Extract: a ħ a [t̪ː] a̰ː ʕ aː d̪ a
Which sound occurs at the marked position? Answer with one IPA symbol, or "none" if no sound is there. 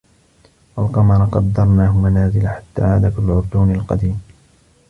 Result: t̪ː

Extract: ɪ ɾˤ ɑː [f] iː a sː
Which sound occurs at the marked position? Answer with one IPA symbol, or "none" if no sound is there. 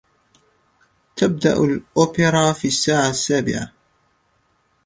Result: f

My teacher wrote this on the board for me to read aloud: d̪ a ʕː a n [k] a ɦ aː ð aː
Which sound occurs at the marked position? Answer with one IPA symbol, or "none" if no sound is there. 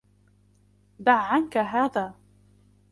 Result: k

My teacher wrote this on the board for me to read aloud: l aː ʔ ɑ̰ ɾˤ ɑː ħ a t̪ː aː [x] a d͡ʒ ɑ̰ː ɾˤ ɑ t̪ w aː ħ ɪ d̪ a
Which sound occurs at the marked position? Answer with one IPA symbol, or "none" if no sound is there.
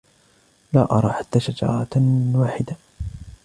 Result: ʃ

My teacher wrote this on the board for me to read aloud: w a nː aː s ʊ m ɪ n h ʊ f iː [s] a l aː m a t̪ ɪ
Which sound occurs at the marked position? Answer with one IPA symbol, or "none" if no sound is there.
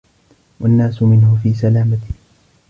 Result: s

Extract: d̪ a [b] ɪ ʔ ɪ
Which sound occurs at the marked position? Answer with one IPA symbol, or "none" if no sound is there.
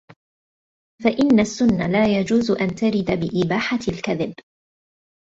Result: b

